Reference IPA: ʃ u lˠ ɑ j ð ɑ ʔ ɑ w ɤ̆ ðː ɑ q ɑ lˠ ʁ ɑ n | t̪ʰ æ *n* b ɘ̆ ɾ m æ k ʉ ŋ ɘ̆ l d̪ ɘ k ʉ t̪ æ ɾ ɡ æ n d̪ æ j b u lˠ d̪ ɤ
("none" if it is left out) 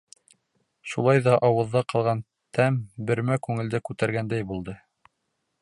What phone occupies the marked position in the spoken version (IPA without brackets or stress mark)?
m